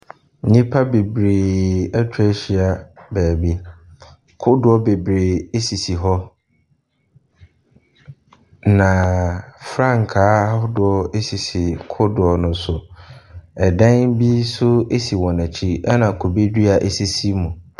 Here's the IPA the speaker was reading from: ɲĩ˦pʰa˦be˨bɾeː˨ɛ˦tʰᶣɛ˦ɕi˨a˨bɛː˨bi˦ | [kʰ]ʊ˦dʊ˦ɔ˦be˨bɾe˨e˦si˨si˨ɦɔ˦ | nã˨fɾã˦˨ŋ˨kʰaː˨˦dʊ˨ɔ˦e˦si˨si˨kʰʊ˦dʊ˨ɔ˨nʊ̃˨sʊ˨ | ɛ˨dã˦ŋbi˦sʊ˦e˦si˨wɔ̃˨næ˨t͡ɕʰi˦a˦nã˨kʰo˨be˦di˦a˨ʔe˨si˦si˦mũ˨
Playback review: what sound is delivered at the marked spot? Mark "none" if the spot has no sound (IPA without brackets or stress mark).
kʰ